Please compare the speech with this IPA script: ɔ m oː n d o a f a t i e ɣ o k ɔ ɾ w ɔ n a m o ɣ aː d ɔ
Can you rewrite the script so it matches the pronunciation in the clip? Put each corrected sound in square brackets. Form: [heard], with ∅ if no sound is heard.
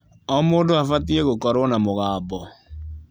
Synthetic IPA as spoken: ɔ m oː n d o a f a t i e ɣ o k ɔ ɾ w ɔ n a m o ɣ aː [b] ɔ